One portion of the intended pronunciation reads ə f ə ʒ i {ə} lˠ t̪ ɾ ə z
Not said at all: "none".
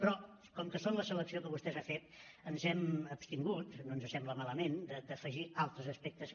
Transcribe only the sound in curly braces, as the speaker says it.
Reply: a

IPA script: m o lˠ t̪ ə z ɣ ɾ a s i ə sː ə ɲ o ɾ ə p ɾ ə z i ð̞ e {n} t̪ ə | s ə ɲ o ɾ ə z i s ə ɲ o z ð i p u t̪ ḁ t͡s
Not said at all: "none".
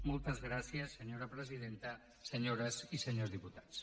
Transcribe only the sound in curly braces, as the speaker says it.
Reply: n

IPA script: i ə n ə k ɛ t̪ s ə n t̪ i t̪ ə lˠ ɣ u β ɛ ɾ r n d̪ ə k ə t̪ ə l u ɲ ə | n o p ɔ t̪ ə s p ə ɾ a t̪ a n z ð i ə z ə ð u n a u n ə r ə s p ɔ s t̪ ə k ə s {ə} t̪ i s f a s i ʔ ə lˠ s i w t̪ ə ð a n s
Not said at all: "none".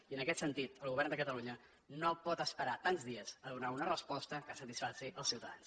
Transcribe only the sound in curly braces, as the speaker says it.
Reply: ə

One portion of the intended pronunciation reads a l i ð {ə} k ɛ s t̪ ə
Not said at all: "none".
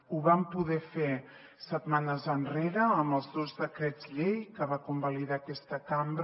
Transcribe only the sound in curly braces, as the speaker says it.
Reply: a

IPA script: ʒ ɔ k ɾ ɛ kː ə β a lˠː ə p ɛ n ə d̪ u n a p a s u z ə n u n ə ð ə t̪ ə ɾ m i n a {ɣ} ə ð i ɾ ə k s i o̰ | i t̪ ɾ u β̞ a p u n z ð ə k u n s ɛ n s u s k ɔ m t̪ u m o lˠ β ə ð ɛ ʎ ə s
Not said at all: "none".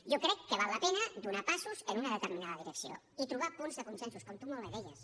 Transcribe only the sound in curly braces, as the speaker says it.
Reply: ð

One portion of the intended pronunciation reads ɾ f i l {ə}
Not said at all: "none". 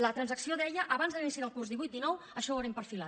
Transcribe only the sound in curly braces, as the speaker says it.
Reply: a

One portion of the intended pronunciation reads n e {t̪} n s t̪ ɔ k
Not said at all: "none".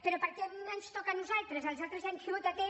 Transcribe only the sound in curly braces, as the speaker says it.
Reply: none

